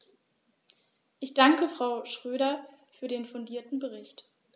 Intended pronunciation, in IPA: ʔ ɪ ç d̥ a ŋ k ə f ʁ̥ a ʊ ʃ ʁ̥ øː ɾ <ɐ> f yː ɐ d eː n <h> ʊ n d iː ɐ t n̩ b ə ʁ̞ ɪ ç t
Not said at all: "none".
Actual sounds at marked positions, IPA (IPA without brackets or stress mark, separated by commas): ɐ, f